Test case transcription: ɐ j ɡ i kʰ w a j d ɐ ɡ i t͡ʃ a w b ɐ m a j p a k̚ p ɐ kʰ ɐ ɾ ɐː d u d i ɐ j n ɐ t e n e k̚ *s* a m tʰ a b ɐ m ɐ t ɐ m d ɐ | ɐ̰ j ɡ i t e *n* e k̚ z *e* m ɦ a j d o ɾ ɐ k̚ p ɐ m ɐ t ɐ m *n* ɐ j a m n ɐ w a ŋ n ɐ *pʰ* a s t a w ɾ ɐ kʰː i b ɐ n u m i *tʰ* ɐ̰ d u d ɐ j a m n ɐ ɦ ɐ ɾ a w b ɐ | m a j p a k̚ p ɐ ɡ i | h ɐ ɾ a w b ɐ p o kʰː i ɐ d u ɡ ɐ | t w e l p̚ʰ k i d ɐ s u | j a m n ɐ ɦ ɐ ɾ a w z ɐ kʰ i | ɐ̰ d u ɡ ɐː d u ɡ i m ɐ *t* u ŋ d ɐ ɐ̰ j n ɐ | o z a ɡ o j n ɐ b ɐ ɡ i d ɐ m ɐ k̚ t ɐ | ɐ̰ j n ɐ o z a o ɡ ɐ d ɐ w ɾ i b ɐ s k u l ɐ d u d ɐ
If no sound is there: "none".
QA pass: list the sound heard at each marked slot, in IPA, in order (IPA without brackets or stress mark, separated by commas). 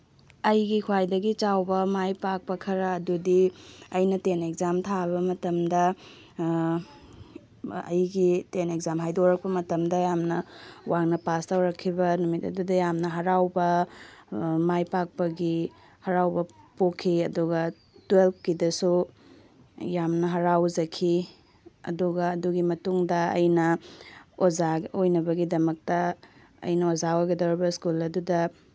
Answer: z, n, a, d, p, t, t